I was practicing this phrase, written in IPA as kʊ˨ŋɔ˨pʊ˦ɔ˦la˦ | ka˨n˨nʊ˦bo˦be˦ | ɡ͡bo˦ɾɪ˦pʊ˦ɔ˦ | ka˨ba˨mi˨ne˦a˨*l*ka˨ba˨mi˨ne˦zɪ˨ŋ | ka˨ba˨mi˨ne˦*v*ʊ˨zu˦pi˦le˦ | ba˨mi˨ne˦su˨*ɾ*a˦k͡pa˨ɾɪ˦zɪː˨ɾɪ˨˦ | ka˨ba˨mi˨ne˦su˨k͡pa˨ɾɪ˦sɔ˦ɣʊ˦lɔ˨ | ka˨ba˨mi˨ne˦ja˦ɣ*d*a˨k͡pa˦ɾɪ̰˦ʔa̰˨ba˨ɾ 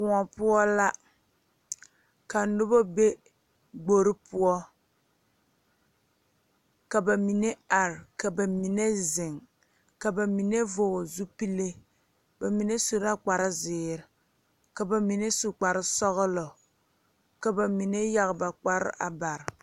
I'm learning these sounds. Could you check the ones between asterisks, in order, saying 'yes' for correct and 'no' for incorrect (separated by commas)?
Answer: no, yes, yes, no